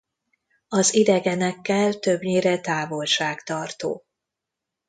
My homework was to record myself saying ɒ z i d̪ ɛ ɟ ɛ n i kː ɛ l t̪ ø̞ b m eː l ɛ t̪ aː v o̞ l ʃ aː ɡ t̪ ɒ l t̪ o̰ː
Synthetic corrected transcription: ɒ z i d̪ ɛ ɡ ɛ n ɛ kː ɛ l t̪ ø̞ b ɲ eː ɾ ɛ t̪ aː v o̞ l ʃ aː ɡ t̪ ɒ r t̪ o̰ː